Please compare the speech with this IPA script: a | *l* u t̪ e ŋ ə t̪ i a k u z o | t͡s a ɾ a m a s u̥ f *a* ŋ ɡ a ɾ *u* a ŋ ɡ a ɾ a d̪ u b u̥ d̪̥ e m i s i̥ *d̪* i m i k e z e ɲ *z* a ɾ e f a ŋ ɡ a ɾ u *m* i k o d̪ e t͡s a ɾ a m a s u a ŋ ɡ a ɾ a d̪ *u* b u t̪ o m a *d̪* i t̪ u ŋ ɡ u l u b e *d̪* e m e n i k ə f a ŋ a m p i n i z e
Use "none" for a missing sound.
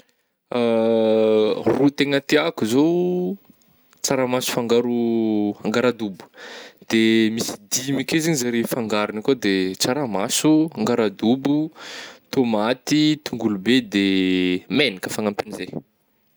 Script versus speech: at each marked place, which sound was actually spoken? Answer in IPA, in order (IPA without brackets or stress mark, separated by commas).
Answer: r, a, u, d̪, z, n, u, t̪, d̪